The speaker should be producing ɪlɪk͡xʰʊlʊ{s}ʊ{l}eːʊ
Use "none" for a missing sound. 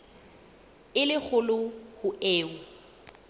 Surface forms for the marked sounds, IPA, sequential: h, none

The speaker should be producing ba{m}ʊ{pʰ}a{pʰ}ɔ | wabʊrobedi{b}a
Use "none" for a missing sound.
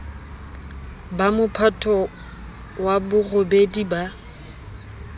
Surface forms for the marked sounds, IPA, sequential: m, pʰ, tʰ, b

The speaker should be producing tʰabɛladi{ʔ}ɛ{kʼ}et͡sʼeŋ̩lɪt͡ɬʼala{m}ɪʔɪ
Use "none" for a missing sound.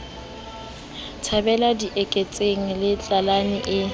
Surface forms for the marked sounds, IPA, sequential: ʔ, kʼ, n

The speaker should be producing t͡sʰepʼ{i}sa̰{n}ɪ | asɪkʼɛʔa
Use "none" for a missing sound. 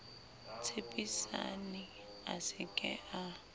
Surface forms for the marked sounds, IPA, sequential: i, n

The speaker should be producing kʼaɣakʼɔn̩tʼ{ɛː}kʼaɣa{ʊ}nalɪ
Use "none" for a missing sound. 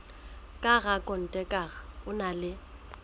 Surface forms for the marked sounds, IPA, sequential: ɛ, ʊ

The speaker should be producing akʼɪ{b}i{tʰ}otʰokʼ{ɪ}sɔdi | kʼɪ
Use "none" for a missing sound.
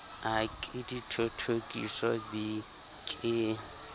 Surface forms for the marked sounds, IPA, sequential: d, tʰ, i

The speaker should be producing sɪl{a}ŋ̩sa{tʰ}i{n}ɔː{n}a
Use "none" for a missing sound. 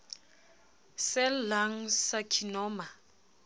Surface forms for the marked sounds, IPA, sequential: a, kʰ, n, m

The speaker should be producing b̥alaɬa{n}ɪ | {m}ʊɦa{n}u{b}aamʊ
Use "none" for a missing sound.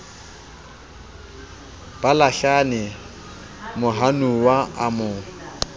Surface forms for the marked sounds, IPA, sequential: n, m, n, w

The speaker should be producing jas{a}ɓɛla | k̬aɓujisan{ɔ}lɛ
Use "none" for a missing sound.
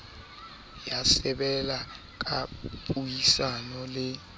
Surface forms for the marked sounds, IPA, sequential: ɛ, ɔ

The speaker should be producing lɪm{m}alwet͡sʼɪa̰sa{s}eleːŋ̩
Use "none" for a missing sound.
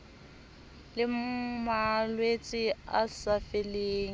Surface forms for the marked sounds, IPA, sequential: m, f

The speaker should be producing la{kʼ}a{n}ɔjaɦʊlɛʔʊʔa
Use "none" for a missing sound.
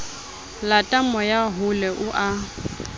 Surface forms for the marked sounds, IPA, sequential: tʼ, m

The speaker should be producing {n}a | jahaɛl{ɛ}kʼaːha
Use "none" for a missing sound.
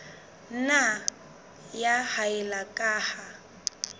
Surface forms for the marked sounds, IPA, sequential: n, a

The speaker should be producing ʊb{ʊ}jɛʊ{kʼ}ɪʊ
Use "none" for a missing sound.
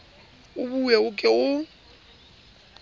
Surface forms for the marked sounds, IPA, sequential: u, kʼ

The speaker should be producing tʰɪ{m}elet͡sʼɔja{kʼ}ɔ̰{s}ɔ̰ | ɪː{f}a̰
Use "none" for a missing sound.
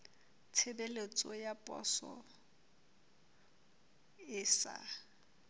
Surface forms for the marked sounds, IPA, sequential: b, pʼ, s, s

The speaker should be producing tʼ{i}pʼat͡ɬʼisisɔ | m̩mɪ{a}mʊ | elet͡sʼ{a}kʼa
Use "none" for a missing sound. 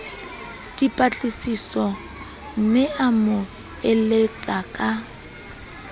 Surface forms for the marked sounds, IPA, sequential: i, a, a

